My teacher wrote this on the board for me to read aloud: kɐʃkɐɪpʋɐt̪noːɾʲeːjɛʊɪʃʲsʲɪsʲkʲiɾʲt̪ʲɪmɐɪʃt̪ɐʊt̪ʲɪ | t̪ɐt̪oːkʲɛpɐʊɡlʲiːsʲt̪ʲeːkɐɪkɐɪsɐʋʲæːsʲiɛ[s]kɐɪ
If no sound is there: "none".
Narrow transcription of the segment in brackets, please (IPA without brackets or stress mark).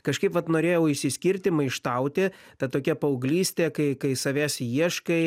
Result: ʃ